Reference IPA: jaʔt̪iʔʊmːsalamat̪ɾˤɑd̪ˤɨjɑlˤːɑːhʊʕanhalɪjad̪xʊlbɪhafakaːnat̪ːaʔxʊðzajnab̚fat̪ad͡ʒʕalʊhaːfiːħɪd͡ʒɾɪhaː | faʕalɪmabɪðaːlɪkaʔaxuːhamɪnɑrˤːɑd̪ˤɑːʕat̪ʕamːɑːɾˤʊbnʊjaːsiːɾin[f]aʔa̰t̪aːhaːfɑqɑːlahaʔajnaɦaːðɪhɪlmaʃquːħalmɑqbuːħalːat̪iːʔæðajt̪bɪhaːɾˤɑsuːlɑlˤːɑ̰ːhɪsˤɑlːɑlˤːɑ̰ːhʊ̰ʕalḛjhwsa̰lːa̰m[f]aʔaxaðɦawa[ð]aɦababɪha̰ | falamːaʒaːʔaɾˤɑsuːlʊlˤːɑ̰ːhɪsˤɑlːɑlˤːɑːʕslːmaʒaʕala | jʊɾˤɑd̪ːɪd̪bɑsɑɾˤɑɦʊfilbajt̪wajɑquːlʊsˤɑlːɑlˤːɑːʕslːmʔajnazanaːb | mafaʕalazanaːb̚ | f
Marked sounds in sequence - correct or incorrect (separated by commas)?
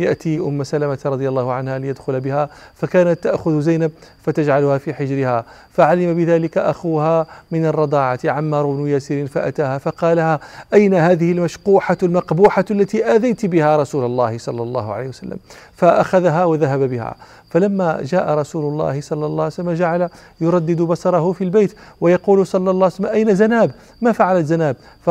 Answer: correct, correct, correct